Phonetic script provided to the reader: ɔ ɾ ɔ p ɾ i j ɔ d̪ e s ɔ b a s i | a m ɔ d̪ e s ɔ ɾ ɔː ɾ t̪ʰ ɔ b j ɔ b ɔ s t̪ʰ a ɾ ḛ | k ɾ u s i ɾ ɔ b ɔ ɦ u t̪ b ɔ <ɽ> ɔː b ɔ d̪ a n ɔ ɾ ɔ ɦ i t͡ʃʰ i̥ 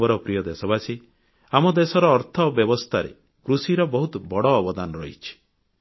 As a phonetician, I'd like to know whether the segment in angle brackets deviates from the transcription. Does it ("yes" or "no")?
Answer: no